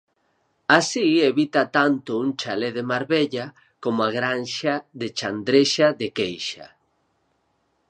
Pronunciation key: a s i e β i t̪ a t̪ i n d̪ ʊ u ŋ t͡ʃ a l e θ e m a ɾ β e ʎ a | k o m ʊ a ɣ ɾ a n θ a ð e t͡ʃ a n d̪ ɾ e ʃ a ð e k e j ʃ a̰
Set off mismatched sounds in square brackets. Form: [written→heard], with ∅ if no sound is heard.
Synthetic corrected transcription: a s i e β i t̪ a t̪ [i→a] n [d̪→t̪] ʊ u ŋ t͡ʃ a l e [θ→ð] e m a ɾ β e ʎ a | k o m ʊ a ɣ ɾ a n [θ→ʃ] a ð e t͡ʃ a n d̪ ɾ e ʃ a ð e k e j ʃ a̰